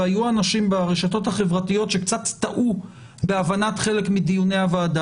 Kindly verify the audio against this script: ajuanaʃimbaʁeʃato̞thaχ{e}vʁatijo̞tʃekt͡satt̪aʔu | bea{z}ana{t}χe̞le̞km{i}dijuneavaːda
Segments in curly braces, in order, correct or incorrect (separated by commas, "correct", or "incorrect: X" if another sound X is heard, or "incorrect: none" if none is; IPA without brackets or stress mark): correct, incorrect: v, correct, correct